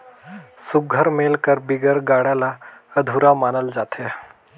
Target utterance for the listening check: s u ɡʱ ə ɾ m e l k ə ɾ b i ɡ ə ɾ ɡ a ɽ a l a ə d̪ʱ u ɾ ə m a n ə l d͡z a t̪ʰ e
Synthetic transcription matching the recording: s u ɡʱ ə ɾ m e l k ə ɾ b i ɡ ə ɾ ɡ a ɽ a l a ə d̪ʱ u ɾ a m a n ə l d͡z a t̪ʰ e